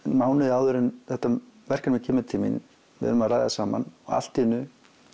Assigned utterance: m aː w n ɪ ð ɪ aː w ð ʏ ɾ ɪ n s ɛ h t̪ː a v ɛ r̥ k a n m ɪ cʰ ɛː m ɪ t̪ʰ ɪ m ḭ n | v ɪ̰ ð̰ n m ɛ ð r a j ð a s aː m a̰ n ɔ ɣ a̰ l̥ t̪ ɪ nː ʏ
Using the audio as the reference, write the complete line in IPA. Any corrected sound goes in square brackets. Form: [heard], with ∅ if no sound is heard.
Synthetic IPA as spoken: m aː w n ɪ ð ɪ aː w ð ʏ ɾ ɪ n [θ] ɛ h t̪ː a v ɛ r̥ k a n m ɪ cʰ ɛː m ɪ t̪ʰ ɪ m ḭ n | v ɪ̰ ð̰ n m [a] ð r a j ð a s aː m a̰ n ɔ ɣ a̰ l̥ t̪ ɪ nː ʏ